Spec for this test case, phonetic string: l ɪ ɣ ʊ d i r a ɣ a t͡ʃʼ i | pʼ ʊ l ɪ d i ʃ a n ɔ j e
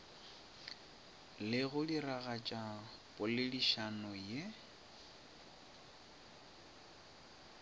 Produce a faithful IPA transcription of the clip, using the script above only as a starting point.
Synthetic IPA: l ɪ ɣ ʊ d i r a ɣ a t͡ʃʼ a | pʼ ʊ l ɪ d i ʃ a n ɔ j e